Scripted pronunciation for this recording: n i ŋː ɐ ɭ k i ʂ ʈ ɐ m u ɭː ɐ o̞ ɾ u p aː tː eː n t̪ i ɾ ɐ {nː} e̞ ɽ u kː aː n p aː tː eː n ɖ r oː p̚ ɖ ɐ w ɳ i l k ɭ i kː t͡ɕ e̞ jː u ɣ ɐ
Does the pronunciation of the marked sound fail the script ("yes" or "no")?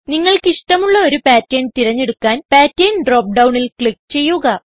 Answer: yes